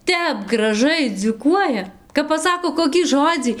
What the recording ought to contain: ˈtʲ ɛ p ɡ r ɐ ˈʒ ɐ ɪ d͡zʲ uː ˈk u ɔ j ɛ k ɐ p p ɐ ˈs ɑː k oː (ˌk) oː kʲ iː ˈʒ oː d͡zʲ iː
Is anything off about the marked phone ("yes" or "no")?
no